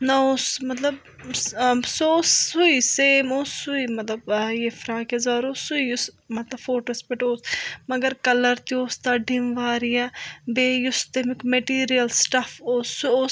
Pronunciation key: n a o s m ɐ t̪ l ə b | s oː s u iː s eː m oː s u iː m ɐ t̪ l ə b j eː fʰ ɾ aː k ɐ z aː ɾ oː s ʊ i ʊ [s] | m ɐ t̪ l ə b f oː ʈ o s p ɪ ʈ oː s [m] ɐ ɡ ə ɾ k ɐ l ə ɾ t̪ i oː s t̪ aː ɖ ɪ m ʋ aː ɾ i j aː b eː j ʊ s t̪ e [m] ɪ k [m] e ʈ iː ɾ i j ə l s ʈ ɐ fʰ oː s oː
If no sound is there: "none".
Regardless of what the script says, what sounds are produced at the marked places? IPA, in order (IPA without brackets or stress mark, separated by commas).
s, m, m, m